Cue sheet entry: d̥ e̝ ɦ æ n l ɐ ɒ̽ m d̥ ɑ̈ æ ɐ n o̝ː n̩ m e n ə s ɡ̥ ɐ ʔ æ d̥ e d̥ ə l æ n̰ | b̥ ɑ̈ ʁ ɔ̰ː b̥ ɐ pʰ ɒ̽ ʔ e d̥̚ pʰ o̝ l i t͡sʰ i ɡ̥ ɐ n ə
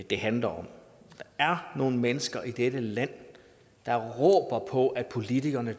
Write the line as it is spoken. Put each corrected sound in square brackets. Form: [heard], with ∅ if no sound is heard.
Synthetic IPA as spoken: d̥ e̝ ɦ æ n l ɐ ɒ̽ m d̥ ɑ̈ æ ɐ n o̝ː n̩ m e n ə s ɡ̥ ɐ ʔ [i] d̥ e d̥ ə l æ n̰ | [d̥] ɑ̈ ʁ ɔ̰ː b̥ ɐ pʰ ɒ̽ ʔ [æ] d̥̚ pʰ o̝ l i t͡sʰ i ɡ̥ ɐ n ə